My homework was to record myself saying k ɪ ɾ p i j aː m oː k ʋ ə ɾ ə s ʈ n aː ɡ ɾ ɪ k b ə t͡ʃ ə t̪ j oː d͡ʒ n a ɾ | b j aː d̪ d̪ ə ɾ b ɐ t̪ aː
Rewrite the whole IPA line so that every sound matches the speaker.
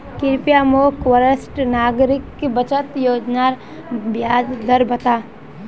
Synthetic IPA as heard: k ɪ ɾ p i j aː m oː k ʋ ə ɾ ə s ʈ n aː ɡ ɾ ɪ k b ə t͡ʃ ə t̪ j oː d͡ʒ n a ɾ | b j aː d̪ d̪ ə ɾ b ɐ t̪ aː